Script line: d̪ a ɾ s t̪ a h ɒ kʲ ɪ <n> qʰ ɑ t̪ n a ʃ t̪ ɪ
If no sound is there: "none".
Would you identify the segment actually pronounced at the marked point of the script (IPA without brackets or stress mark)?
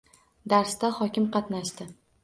m